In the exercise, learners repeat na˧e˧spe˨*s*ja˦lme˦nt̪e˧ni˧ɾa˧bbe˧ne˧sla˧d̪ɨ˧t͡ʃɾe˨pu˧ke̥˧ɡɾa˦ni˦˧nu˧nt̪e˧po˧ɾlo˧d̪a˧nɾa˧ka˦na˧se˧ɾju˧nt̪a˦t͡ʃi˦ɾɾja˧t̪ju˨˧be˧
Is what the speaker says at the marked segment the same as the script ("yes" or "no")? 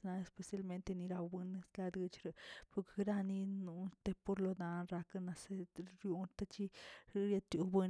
yes